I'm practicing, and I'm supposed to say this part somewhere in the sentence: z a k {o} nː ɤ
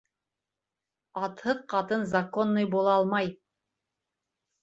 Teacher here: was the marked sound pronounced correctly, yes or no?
yes